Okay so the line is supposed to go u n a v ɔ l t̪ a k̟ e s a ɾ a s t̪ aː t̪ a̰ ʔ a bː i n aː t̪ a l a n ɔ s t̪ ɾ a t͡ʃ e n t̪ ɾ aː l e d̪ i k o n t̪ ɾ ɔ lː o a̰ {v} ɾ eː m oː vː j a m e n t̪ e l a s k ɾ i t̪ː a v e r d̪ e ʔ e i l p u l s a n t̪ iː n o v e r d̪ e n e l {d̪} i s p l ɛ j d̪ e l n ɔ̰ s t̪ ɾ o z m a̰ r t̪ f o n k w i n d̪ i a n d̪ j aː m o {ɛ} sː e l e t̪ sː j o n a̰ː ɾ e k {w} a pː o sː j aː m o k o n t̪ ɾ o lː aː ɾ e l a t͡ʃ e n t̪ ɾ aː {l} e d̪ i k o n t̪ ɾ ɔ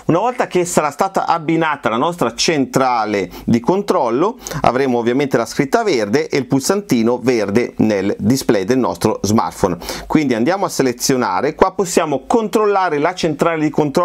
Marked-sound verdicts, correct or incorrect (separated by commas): correct, correct, incorrect, correct, correct